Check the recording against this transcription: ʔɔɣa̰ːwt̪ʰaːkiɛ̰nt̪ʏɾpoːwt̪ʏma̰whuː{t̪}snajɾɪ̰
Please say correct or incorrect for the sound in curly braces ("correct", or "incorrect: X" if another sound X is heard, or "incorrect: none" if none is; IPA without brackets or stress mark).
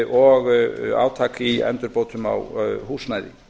incorrect: none